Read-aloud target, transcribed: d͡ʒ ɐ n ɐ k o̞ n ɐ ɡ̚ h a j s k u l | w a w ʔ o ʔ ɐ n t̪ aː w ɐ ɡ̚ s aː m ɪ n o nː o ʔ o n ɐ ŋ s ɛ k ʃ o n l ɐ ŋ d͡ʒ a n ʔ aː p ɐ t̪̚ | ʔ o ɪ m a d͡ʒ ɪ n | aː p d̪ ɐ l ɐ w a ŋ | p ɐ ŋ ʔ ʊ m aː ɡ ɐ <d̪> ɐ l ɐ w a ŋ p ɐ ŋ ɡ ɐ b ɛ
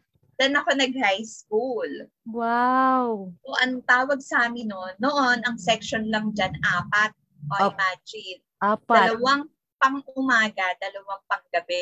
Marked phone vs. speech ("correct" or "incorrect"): correct